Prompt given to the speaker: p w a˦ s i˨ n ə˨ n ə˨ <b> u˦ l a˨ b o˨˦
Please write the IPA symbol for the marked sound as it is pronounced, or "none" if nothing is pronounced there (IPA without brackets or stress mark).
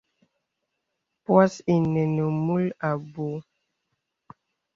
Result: m